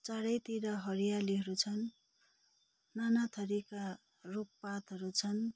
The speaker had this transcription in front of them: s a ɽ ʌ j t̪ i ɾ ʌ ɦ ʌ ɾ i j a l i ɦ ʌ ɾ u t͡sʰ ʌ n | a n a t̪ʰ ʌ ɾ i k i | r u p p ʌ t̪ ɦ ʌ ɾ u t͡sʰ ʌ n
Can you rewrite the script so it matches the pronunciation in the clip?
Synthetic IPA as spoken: t͡s a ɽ ʌ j t̪ i ɾ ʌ ɦ ʌ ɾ i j a l i ɦ ʌ ɾ u t͡sʰ ʌ n | a n a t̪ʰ ʌ ɾ i k a | r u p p a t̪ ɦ ʌ ɾ u t͡sʰ ʌ n